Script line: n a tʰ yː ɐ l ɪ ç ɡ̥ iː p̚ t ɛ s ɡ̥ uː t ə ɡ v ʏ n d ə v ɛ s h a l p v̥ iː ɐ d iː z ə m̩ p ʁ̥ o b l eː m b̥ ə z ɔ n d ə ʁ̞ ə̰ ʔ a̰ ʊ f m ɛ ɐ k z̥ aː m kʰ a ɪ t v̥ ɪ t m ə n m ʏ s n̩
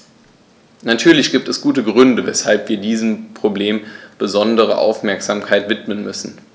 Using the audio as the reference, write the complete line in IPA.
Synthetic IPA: n a tʰ yː ɐ l ɪ ç ɡ̥ iː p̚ t ɛ s ɡ̥ uː t ə ɡ ʁ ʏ n d ə v ɛ s h a l p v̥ iː ɐ d iː z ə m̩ p ʁ̥ o b l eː m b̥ ə z ɔ n d ə ʁ̞ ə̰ ʔ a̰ ʊ f m ɛ ɐ k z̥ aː m kʰ a ɪ t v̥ ɪ t m ə n m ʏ s n̩